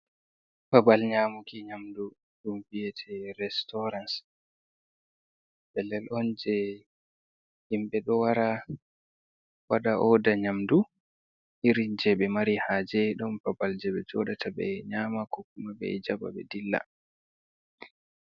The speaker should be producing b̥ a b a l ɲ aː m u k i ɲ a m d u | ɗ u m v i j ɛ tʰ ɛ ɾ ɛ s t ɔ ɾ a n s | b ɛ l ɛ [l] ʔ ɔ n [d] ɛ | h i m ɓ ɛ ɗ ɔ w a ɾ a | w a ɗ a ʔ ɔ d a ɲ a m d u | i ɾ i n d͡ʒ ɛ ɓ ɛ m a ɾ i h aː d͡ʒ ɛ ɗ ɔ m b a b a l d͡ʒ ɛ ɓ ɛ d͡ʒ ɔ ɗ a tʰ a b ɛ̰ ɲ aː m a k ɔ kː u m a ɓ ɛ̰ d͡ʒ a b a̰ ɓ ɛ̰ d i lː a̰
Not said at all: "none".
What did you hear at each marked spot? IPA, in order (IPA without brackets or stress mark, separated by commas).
l, d͡ʒ